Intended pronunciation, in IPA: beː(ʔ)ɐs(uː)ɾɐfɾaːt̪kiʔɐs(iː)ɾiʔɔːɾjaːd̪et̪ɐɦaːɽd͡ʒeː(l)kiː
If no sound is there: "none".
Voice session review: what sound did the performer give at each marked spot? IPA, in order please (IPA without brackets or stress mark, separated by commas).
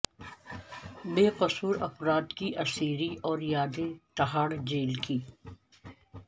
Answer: q, uː, iː, l